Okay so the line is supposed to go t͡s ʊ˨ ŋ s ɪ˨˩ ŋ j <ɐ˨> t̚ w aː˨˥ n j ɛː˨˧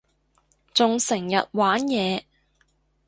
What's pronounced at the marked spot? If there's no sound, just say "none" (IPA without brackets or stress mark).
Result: ɐ˨